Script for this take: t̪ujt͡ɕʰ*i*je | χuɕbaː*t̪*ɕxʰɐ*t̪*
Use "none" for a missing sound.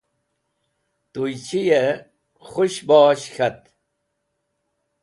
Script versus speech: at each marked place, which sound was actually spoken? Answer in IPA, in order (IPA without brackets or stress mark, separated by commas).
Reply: i, none, t̪